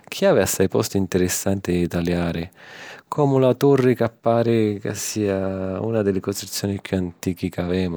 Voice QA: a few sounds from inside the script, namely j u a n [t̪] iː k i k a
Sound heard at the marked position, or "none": t̪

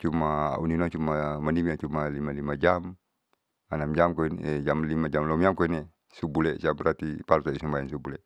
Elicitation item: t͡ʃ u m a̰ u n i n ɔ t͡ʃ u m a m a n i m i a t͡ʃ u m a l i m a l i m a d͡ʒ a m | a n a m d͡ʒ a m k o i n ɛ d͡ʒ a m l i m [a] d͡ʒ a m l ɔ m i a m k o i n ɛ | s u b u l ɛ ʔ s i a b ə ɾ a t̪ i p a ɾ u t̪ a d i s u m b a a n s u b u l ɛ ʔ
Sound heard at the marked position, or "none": a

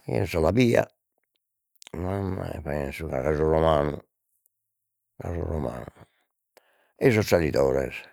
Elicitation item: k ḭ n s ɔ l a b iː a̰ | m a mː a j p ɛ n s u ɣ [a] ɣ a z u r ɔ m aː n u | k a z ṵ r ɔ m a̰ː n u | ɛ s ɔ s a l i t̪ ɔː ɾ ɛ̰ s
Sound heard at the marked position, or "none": a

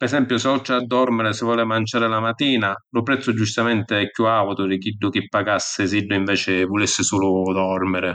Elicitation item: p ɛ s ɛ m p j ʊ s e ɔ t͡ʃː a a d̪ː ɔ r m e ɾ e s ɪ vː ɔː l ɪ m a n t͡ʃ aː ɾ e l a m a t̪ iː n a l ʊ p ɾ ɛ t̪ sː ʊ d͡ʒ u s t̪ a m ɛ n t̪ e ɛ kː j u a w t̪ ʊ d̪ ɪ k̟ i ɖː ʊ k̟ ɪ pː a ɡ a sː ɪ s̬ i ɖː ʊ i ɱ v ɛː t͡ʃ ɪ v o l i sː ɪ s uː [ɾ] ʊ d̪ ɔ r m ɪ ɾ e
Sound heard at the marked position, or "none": l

